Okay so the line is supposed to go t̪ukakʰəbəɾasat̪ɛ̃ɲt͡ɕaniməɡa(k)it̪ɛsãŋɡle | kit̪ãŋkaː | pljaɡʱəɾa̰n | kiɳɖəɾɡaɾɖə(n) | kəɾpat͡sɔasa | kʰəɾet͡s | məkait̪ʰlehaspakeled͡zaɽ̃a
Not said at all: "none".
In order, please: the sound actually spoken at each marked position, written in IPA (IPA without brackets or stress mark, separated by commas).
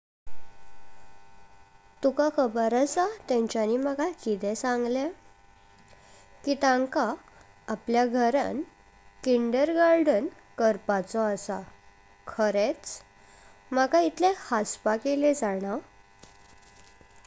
k, n